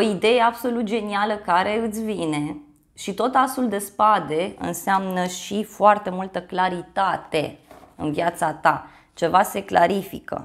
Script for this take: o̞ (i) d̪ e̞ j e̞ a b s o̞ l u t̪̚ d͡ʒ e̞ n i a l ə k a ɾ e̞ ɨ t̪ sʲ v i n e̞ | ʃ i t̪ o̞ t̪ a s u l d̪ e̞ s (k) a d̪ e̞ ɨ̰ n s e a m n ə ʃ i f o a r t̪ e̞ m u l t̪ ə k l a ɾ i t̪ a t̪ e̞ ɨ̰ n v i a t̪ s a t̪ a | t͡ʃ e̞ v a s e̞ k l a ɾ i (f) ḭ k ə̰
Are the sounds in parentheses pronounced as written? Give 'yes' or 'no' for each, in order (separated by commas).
yes, no, yes